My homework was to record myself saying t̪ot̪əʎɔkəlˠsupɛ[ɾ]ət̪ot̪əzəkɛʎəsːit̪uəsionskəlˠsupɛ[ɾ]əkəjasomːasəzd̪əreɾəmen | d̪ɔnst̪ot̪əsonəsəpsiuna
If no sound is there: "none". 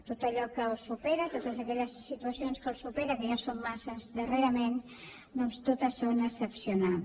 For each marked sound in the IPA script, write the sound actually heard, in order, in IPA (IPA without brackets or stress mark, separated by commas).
ɾ, ɾ